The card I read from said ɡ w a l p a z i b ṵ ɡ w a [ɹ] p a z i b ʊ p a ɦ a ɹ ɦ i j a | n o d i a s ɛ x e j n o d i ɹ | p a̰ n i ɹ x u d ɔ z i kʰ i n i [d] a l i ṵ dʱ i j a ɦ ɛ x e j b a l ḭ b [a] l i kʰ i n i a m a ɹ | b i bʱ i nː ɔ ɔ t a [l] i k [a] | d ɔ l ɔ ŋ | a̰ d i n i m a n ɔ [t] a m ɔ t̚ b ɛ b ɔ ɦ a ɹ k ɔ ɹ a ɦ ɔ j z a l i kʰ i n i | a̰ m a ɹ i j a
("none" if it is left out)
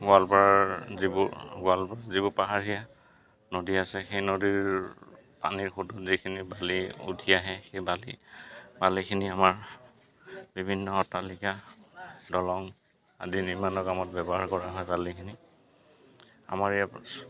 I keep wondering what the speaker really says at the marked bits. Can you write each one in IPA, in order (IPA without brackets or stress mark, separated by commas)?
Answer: l, b, a, l, a, k